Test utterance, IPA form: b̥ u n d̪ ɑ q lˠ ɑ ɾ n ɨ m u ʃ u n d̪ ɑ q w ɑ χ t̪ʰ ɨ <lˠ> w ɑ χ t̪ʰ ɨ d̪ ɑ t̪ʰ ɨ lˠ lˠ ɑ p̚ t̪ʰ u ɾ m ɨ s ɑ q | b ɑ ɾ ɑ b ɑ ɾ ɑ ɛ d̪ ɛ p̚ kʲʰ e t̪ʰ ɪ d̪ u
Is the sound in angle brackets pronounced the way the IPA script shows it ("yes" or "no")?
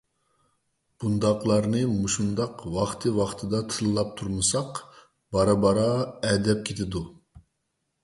no